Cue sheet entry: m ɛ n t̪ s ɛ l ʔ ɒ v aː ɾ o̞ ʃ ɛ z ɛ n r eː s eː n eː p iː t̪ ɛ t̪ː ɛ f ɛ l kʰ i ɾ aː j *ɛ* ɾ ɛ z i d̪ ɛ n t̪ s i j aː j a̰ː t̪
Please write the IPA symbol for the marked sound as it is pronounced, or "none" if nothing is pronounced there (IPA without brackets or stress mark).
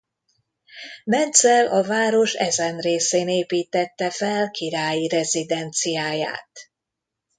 i